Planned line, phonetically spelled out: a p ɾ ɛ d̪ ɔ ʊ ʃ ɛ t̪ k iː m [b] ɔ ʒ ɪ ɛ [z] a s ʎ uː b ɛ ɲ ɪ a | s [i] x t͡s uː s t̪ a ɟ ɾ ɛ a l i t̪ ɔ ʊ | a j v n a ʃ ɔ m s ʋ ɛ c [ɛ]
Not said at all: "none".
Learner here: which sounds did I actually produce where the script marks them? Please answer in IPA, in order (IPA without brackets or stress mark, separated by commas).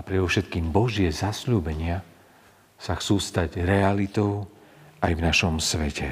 b, z, a, ɛ